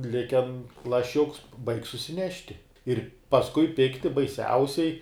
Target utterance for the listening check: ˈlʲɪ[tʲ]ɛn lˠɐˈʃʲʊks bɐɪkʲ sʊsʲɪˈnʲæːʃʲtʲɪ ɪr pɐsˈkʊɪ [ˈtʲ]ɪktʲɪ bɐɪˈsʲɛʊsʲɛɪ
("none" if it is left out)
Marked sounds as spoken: kʲ, pʲ

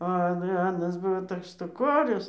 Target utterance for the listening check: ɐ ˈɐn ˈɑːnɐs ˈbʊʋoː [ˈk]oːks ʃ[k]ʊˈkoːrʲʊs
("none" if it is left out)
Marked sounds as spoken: t, t

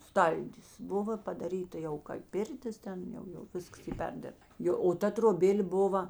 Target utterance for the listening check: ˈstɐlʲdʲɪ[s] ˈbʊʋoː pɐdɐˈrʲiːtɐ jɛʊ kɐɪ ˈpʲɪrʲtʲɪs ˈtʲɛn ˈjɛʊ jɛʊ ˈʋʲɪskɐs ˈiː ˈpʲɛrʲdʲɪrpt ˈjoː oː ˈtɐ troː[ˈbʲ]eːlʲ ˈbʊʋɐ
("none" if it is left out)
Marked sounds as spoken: s, bʲ

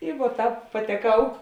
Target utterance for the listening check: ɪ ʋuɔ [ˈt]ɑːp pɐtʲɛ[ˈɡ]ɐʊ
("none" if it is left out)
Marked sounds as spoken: t, k

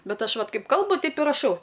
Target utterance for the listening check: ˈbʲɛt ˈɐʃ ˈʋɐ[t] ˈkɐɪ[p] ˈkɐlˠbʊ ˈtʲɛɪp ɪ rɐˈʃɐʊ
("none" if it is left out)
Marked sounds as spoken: t, p

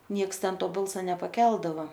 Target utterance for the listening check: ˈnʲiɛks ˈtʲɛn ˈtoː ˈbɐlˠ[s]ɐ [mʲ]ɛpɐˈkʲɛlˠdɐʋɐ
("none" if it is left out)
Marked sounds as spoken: s, nʲ

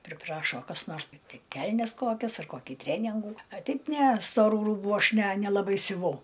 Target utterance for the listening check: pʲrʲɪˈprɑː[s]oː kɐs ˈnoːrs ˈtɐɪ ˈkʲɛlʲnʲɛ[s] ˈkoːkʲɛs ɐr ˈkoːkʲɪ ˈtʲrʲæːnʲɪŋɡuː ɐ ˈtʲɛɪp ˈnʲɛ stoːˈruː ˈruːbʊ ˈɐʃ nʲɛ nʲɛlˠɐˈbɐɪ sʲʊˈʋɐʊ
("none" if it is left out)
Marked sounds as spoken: ʃ, s

